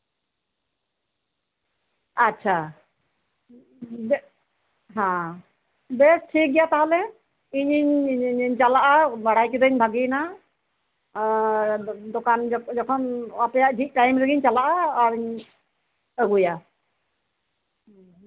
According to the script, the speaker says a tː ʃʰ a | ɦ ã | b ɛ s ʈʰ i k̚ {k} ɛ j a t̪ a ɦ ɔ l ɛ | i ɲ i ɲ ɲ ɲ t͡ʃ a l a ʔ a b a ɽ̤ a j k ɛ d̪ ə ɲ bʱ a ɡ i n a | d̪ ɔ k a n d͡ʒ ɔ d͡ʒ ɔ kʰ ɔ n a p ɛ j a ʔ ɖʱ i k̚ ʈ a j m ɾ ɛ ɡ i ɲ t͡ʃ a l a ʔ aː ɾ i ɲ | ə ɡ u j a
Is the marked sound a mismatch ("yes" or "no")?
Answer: yes